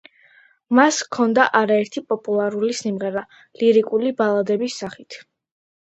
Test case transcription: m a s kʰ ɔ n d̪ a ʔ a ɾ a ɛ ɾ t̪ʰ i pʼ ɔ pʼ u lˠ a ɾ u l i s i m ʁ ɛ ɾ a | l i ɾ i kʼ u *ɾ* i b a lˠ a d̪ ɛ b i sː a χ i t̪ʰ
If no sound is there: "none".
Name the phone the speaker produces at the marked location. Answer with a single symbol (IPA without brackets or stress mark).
l